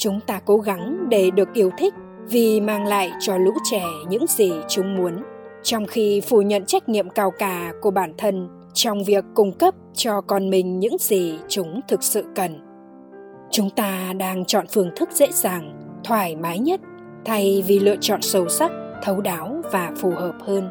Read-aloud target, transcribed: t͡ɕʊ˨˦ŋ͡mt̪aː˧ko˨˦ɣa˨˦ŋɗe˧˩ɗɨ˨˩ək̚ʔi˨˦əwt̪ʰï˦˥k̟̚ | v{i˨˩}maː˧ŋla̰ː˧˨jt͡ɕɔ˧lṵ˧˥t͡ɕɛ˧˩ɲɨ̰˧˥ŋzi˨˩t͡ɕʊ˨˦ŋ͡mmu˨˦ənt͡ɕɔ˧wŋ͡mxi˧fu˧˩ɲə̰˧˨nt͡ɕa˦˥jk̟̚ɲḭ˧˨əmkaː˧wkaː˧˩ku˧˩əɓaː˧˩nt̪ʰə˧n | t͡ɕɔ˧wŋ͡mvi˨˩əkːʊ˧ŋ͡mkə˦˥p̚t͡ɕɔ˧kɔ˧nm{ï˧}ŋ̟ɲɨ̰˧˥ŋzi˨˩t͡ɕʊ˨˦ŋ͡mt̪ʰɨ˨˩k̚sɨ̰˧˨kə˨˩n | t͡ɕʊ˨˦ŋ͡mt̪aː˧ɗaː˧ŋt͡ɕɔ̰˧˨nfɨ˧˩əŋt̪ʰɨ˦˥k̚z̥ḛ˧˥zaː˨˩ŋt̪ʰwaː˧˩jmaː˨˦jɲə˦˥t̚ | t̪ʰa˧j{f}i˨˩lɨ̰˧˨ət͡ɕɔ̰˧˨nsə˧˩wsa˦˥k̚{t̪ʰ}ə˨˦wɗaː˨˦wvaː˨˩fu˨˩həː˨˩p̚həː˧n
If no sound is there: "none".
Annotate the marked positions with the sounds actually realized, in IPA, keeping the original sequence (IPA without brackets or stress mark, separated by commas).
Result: i˨˩, ï˨˩, v, t̪ʰ